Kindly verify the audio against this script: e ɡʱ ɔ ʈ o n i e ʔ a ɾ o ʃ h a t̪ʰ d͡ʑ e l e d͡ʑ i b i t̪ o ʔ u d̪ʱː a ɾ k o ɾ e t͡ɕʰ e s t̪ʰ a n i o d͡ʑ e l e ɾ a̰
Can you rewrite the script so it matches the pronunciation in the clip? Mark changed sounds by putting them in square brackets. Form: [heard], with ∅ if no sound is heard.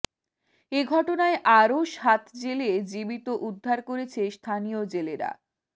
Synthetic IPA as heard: e ɡʱ ɔ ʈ o n [a] e ʔ a ɾ o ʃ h a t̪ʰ d͡ʑ e l e d͡ʑ i b i t̪ o ʔ u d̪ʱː a ɾ k o ɾ e t͡ɕʰ e s t̪ʰ a n i o d͡ʑ e l e ɾ a̰